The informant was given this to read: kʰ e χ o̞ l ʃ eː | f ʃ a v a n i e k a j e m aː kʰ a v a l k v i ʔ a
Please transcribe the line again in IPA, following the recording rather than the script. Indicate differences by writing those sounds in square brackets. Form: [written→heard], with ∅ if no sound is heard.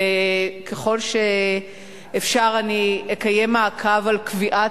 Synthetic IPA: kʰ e χ o̞ l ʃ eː | f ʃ a [v→ʁ] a n i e k a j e m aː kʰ a v a l k v i ʔ a

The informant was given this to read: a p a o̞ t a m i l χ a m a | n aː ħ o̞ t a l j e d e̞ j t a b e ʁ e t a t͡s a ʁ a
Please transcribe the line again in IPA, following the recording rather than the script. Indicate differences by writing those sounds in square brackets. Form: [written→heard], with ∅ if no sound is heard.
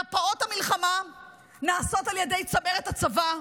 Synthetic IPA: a p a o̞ t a m i l χ a m a | n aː [ħ→s] o̞ t a l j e d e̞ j [t→t͡s] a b e ʁ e t a t͡s a [ʁ→v] a

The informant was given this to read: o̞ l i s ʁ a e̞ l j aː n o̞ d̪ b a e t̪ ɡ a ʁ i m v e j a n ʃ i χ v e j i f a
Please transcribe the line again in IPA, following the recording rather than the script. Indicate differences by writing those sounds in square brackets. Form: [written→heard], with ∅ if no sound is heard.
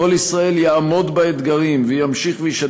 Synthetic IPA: o̞ l i s ʁ a e̞ l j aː [n→m] o̞ d̪ b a e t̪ ɡ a ʁ i m v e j a [n→m] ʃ i χ v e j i [f→ʃ] a

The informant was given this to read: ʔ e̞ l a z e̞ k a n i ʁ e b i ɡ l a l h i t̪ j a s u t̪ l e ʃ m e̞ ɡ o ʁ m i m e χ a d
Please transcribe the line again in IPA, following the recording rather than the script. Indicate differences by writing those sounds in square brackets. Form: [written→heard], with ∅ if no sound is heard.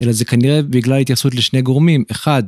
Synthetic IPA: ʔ e̞ l a z e̞ k a n i ʁ e b i ɡ l a l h i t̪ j a s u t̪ l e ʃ [m→n] e̞ ɡ o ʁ m i m e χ a d

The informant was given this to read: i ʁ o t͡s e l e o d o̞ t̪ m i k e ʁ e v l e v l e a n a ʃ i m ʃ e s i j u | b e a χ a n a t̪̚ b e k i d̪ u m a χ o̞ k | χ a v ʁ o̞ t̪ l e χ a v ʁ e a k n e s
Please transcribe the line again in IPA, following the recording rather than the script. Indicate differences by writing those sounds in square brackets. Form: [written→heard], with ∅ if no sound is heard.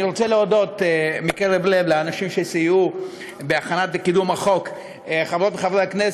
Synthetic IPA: i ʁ o t͡s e l e o d o̞ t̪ m i k e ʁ e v l e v l e a n a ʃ i m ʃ e s i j u | b e a χ a n a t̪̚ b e k i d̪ u m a χ o̞ k | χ a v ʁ o̞ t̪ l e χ a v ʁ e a k n e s

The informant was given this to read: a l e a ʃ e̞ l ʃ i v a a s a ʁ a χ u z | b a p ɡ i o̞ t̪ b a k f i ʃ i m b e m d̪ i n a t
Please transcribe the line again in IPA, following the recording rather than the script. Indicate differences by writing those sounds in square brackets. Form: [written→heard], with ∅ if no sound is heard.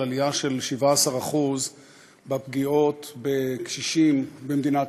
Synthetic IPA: a l [e→i] a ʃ e̞ l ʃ i v a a s a ʁ a χ u z | b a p ɡ i o̞ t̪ b [a→e] k [f→ʃ] i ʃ i m b e m d̪ i n a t

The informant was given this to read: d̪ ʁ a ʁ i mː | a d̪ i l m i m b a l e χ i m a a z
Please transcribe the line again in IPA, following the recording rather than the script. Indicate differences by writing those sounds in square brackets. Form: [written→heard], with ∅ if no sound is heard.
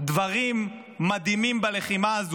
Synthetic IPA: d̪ [ʁ→v] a ʁ i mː | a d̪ i [l→∅] m i m b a l e χ i m a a z

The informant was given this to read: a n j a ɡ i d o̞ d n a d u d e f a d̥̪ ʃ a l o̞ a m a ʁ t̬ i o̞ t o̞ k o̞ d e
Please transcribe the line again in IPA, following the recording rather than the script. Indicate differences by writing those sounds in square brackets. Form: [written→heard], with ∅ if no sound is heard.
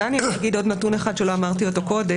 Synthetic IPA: a n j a ɡ i d o̞ d n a [d→t] u [d→n] e [f→χ] a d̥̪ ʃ [a→e] l o̞ a m a ʁ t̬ i o̞ t o̞ k o̞ d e

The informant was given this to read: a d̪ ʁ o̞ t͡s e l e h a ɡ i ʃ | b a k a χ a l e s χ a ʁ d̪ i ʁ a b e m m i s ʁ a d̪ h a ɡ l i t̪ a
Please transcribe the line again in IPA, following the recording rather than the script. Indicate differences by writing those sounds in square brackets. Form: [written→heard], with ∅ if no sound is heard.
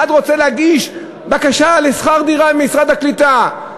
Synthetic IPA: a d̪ ʁ o̞ t͡s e l e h a ɡ i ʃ | b a k a [χ→ʃ] a l e s χ a ʁ d̪ i ʁ a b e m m i s ʁ a d̪ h a [ɡ→k] l i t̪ a

